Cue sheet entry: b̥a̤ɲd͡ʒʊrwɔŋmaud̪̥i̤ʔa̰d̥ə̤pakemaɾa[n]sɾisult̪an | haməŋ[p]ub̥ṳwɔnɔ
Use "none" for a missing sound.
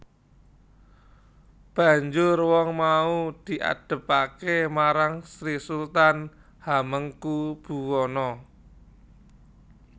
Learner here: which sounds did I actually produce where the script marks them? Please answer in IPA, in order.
ŋ, k

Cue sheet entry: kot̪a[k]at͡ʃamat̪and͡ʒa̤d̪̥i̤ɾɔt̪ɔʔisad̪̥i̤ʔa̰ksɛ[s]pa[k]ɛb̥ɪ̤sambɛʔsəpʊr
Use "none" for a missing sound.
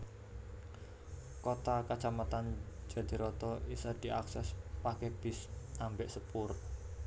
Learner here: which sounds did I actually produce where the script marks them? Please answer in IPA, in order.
k, s, k

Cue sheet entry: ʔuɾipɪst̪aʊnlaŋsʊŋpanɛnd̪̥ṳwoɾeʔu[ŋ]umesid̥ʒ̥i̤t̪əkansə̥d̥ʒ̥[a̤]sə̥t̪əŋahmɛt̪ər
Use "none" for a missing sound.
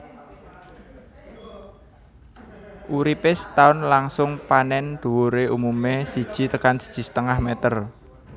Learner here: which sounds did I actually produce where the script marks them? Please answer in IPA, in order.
m, i̤

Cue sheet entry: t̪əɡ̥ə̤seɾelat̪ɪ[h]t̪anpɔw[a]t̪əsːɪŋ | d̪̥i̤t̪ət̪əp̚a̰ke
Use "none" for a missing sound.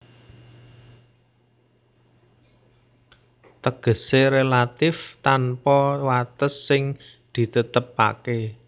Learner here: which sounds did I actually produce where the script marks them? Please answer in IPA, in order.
f, a

